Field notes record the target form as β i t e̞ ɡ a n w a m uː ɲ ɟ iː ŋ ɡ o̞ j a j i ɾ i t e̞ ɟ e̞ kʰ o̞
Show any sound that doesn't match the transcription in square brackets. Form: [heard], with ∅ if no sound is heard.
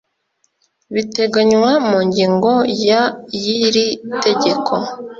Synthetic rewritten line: β i t e̞ ɡ a [ɲ] w a m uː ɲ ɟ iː ŋ ɡ o̞ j a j i ɾ i t e̞ ɟ e̞ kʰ o̞